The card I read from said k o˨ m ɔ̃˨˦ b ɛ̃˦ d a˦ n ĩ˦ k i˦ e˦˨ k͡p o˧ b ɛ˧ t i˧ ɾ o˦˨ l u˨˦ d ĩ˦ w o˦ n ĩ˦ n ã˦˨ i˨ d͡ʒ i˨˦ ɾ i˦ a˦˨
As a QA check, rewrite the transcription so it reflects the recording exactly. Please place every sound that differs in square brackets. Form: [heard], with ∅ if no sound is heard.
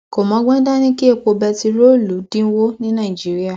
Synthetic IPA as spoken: k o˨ m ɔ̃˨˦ [ɡ͡b] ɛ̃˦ d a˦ n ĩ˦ k i˦ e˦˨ k͡p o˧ b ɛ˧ t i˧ ɾ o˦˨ l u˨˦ d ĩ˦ w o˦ n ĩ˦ n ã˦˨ i˨ d͡ʒ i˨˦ ɾ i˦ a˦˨

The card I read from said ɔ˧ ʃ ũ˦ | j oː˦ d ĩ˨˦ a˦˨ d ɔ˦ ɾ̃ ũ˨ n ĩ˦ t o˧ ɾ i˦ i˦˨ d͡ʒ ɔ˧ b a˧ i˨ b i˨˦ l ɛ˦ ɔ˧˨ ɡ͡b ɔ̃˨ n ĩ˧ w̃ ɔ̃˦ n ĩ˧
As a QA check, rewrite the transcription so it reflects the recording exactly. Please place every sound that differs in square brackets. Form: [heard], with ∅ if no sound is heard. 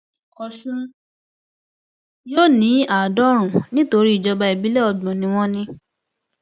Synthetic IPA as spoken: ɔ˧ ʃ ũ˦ | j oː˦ [n] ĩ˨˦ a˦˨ d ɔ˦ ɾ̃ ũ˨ n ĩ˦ t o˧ ɾ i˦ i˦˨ d͡ʒ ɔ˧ b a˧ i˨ b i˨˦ l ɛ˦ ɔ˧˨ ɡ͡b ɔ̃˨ n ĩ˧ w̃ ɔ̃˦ n ĩ˧

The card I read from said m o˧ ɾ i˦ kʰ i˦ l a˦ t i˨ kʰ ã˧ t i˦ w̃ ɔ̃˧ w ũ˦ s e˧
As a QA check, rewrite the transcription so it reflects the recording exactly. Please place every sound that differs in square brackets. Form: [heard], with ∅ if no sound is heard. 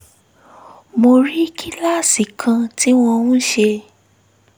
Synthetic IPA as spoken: m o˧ ɾ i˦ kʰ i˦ l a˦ [s] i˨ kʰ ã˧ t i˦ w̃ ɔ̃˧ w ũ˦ [ʃ] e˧

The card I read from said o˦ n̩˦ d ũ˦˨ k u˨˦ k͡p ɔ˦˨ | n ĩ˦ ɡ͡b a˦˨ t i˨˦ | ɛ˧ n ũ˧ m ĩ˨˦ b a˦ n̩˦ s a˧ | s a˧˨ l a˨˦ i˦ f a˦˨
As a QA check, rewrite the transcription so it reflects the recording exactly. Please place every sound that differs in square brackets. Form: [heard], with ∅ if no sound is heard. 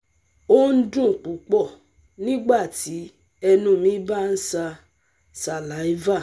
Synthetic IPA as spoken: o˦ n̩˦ d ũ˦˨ [k͡p] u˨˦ k͡p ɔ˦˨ | n ĩ˦ ɡ͡b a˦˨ t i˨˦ | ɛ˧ n ũ˧ m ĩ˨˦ b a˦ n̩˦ s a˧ | s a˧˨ l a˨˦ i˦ [v] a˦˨

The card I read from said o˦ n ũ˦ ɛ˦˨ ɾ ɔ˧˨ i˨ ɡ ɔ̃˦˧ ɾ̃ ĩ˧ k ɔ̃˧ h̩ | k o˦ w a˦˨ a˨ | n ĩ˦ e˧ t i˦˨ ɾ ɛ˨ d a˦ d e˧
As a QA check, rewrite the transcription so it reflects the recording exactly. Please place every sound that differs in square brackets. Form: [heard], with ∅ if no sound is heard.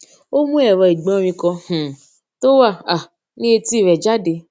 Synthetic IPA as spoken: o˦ [m] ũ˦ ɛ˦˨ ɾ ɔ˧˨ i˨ [ɡ͡b] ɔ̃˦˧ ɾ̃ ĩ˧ k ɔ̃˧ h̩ | [t] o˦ w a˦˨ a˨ | n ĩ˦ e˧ t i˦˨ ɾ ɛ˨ [d͡ʒ] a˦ d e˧

